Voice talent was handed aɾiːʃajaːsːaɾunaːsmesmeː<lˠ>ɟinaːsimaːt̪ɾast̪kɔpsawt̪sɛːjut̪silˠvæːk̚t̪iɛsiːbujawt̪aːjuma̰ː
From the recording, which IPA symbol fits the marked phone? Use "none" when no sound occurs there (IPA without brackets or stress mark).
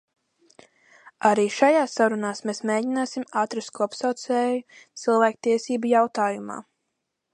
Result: none